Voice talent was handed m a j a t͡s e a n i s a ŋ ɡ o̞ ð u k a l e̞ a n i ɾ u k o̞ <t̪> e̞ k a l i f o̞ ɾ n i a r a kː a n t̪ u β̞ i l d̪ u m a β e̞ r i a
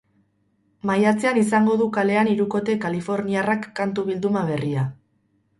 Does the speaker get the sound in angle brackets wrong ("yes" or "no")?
no